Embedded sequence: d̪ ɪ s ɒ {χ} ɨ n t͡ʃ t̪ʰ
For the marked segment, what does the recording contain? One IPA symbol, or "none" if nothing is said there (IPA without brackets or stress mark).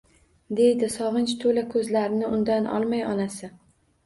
ʁ